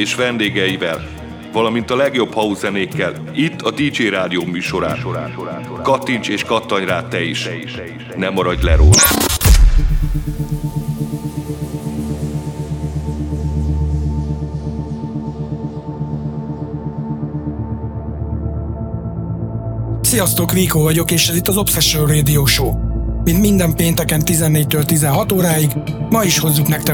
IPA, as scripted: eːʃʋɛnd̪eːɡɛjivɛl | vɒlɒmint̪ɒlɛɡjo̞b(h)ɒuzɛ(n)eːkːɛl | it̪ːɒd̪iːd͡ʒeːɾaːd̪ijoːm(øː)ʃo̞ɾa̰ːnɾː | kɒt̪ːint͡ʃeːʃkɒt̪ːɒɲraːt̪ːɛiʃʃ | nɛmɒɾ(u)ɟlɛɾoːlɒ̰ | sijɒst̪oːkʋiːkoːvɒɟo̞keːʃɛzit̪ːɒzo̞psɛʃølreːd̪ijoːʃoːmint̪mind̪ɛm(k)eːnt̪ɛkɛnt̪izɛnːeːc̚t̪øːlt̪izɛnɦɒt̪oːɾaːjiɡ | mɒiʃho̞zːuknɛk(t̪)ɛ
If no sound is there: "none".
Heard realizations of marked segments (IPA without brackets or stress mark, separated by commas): h, n, yː, ɒ, p, t̪